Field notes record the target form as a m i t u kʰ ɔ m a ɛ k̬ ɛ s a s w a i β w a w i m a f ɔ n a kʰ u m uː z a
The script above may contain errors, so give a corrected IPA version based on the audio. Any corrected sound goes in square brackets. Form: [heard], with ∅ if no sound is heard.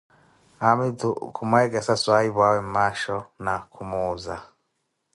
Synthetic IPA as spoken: a m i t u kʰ [u] m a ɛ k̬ ɛ s a s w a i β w a w [ɛ] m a [ʃ] ɔ n a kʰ u m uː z a